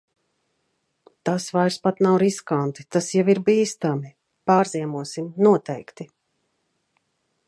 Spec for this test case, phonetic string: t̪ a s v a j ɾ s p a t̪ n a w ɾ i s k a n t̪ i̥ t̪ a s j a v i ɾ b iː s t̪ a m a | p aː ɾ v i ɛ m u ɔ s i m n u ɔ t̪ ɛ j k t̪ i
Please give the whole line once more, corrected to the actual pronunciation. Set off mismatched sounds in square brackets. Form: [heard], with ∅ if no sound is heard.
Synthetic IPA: t̪ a s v a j ɾ s p a t̪ n a w ɾ i s k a n t̪ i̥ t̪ a s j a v i ɾ b iː s t̪ a m [i] | p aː ɾ [z] i ɛ m u ɔ s i m n u ɔ t̪ ɛ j k t̪ i